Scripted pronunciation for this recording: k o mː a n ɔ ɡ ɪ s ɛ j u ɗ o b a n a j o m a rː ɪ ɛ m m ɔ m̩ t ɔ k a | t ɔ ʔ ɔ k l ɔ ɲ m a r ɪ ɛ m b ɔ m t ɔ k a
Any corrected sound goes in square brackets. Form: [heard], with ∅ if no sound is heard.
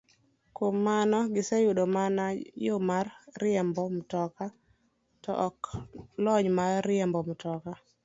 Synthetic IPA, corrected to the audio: k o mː a n ɔ ɡ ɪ s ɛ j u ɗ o [m] a n a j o m a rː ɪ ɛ m [b] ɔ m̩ t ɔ k a | t ɔ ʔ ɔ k l ɔ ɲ m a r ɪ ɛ m b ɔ m t ɔ k a